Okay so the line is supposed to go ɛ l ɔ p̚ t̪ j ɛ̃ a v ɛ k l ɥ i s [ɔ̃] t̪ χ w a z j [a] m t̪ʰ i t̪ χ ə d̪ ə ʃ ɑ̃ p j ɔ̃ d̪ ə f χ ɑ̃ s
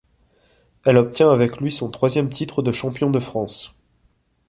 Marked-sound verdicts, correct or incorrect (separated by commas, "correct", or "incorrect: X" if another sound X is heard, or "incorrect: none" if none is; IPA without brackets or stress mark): correct, incorrect: ɛ